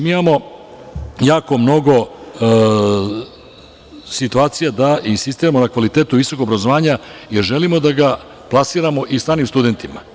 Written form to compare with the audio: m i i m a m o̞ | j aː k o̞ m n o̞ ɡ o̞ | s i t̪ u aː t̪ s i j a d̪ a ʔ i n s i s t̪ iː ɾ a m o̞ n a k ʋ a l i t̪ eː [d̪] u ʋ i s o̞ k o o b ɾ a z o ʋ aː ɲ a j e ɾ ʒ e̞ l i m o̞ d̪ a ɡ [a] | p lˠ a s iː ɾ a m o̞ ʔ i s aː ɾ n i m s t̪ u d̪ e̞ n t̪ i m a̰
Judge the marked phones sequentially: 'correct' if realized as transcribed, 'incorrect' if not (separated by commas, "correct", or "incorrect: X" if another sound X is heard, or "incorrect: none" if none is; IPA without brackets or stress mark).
incorrect: t̪, correct